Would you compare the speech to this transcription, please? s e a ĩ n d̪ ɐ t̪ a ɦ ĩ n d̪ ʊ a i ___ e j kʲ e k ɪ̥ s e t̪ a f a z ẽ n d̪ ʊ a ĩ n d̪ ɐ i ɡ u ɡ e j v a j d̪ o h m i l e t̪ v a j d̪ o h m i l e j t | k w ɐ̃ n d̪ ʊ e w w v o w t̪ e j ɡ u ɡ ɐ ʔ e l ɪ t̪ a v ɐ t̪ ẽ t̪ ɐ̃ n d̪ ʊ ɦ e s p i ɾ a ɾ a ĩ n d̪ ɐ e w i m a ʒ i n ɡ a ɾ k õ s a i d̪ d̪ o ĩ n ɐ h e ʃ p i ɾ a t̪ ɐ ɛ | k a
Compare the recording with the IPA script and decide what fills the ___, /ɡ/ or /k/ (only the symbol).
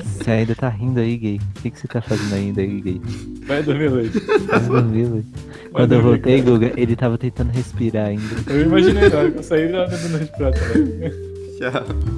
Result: ɡ